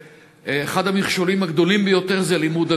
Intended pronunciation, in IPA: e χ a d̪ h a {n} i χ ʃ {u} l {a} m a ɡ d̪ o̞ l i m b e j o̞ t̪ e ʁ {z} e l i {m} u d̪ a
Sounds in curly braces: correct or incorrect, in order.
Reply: incorrect: m, incorrect: o, incorrect: i, correct, correct

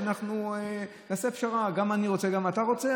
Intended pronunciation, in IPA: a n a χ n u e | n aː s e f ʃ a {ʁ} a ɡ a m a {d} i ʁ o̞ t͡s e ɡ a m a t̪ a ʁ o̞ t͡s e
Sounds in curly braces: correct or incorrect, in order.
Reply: correct, incorrect: n

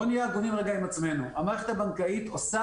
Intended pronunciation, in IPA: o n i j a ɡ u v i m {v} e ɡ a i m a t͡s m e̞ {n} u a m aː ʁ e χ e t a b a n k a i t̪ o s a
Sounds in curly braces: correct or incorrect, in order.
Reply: incorrect: ʁ, correct

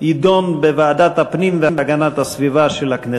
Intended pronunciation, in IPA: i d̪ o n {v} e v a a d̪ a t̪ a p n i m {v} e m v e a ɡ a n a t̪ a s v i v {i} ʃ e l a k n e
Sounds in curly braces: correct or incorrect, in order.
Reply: incorrect: b, correct, incorrect: a

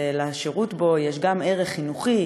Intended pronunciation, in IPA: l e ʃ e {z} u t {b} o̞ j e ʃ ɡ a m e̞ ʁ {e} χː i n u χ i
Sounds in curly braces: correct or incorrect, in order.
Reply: incorrect: ʁ, correct, correct

